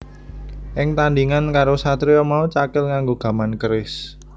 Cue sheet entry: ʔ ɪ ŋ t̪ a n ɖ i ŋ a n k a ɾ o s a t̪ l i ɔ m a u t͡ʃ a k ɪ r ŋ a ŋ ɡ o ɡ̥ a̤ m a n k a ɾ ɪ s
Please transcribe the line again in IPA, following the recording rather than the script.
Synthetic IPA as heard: ʔ ɪ ŋ t̪ a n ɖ i ŋ a n k a ɾ o s a t̪ ɾ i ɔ m a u t͡ʃ a k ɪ l ŋ a ŋ ɡ o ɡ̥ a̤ m a n k ə ɾ ɪ s